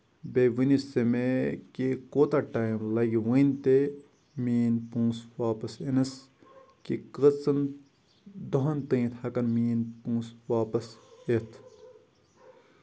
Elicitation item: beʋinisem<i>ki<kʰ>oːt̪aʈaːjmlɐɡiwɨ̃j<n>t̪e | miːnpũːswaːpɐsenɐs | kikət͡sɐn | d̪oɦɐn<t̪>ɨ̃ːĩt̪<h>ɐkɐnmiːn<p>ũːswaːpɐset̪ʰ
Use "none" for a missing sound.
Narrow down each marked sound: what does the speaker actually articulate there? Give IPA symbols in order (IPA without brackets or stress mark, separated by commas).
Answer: e, k, n, t̪, h, p